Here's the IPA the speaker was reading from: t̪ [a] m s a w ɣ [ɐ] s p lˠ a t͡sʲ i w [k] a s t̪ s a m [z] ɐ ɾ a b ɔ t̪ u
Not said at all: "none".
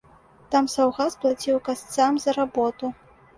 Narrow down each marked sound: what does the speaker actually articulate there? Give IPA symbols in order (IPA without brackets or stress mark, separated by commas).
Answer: a, a, k, z